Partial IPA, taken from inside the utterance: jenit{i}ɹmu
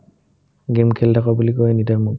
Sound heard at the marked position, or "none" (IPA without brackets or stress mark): a